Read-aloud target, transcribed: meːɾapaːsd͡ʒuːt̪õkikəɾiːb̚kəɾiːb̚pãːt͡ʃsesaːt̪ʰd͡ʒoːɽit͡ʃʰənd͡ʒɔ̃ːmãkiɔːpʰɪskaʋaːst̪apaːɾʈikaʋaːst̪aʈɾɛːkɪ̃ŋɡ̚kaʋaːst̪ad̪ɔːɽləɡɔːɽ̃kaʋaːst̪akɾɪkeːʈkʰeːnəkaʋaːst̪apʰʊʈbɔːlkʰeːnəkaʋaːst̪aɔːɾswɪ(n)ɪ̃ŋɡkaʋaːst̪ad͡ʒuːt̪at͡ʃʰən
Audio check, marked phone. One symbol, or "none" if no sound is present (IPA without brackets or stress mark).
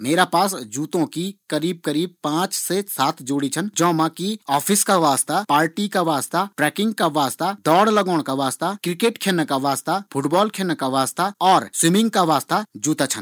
m